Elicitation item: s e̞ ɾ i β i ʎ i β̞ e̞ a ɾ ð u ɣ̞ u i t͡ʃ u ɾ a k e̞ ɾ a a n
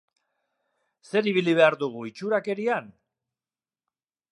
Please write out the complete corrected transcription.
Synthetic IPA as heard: s e̞ ɾ i β i l i β̞ e̞ a ɾ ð u ɣ̞ u i t͡ʃ u ɾ a k e̞ ɾ i a n